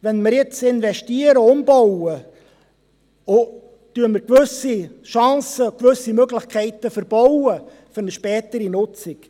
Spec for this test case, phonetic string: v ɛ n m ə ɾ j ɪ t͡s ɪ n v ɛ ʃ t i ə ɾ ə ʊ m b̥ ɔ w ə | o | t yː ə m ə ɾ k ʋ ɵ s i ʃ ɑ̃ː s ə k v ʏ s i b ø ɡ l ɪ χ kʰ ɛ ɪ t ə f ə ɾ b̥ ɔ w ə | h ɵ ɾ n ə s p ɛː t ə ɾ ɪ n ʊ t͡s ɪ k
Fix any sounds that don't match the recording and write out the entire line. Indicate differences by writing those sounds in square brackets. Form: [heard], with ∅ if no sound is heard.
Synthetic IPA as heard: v ɛ n m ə ɾ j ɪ t͡s ɪ n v ɛ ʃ t i ə ɾ ə ʊ m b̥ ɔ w ə | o | t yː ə m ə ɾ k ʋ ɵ s i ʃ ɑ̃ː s ə k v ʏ s i [m] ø ɡ l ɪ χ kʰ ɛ ɪ t ə f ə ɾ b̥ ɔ w ə | [f] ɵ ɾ n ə [ʃ] p ɛː t ə ɾ [i] n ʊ t͡s ɪ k